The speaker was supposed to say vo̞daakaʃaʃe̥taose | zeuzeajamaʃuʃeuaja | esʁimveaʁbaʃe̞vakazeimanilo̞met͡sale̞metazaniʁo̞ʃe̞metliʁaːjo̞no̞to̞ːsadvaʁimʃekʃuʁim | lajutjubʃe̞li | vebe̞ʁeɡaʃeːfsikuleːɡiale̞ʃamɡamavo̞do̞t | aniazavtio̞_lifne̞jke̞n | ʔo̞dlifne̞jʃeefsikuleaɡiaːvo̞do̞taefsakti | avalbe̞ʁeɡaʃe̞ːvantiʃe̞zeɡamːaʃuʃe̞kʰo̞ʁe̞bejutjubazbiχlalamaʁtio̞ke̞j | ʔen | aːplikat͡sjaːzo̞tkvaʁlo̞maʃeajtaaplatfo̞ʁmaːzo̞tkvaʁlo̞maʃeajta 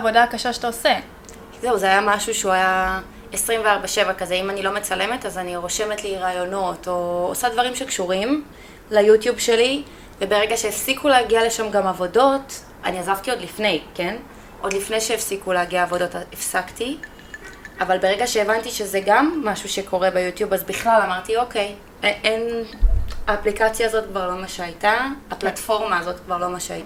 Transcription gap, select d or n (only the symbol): d